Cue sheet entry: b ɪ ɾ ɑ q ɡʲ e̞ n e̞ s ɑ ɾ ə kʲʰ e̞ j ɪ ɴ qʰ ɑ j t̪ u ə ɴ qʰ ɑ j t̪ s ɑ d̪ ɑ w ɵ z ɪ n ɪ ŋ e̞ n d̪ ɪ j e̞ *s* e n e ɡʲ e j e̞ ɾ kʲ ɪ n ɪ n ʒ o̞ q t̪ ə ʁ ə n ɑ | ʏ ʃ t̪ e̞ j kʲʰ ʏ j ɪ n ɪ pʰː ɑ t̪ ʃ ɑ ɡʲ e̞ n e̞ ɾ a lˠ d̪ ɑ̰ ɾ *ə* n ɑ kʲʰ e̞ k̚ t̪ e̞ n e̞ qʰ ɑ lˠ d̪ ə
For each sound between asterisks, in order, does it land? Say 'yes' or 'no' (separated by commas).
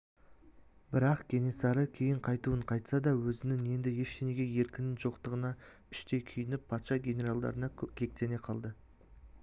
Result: no, yes